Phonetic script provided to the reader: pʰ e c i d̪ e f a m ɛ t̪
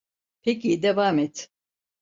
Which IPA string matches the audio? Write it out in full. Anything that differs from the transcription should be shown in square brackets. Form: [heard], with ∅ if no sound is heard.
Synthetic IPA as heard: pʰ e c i d̪ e [v] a m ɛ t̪